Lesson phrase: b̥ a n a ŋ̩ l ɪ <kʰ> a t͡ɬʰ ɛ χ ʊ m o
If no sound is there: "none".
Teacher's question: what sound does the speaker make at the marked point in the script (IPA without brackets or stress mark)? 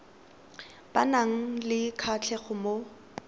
kʰ